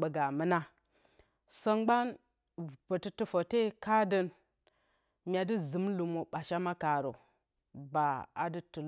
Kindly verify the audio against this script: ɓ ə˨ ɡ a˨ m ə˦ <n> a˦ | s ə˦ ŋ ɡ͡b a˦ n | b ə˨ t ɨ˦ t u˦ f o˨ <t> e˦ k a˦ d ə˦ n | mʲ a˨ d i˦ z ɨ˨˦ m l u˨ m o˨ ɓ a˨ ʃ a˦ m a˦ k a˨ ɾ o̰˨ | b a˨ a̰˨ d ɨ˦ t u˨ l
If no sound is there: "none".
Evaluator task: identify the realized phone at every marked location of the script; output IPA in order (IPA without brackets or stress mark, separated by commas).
n, t